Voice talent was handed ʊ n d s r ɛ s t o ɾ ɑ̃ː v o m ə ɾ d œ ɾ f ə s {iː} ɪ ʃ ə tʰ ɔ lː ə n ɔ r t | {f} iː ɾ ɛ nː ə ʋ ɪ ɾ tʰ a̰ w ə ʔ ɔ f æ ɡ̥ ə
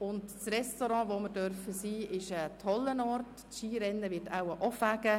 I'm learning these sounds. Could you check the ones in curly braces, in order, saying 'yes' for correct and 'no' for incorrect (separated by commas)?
yes, no